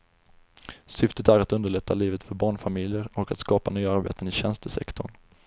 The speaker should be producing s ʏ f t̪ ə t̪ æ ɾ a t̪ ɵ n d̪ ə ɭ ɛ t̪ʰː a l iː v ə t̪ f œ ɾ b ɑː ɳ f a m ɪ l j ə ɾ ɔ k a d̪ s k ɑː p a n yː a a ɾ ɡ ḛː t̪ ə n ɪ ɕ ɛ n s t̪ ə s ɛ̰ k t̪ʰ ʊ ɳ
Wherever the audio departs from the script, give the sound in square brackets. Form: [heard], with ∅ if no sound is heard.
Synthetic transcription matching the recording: s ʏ f t̪ ə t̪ æ ɾ a t̪ ɵ n d̪ ə ɭ ɛ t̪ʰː a l iː v ə t̪ f œ ɾ b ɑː ɳ f a m ɪ l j ə ɾ ɔ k a [t̪] s k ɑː p a n yː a a ɾ [b] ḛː t̪ ə n ɪ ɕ ɛ n s t̪ ə s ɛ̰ k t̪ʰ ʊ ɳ